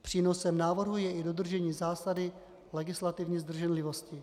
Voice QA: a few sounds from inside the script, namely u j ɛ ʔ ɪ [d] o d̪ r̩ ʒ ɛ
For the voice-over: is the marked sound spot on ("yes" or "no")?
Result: yes